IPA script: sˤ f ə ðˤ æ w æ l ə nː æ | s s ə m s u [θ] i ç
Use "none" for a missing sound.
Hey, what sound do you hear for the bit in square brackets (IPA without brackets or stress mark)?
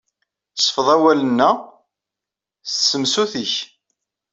θ